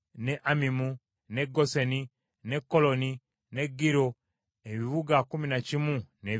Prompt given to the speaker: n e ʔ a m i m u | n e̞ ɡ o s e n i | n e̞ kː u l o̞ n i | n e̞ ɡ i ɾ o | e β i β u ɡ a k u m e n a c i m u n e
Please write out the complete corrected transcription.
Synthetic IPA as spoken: n e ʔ a m i m u | n e̞ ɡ o s e n i | n e̞ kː o l o̞ n i | n e̞ ɡ i ɾ o | e β i β u ɡ a k u m i n a c i m u n e